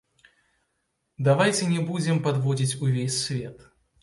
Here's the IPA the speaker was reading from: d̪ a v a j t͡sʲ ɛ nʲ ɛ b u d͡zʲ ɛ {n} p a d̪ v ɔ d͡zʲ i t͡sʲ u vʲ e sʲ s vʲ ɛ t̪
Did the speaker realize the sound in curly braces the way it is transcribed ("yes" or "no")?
no